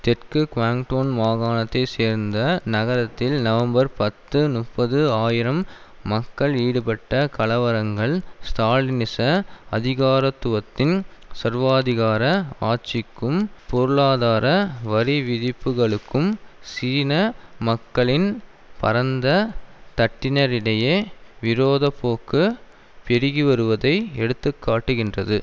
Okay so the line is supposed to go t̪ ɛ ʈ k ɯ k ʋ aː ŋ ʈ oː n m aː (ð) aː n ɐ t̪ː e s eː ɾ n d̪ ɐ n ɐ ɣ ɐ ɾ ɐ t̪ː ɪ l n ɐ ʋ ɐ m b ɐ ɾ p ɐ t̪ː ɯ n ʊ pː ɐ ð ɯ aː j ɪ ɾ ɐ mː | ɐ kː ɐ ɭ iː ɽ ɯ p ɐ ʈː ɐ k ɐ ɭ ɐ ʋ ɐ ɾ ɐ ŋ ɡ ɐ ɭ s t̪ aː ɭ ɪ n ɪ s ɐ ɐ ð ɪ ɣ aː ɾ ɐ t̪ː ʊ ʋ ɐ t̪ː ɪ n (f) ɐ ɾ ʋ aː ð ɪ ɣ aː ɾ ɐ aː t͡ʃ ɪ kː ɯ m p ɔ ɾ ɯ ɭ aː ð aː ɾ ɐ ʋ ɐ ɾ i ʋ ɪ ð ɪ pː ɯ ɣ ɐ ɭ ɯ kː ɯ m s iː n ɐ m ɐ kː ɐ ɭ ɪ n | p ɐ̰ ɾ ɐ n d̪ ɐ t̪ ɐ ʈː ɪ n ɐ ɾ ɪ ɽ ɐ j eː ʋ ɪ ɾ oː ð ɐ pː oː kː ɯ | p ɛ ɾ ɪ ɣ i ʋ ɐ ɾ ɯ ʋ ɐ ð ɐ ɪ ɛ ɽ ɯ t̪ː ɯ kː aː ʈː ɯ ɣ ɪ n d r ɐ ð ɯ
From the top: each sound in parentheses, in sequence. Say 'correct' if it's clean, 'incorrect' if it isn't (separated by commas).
incorrect, incorrect